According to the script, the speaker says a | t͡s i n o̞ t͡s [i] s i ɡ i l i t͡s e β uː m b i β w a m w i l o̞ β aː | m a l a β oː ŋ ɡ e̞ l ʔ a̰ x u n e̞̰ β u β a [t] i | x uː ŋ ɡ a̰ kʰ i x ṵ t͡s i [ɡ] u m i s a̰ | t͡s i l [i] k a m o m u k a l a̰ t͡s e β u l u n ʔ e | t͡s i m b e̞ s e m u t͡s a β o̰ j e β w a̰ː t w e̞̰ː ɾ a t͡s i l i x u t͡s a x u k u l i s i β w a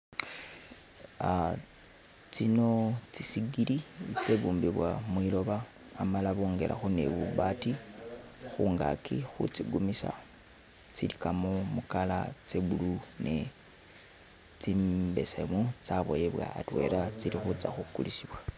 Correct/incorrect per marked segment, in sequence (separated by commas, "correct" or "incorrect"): correct, correct, correct, correct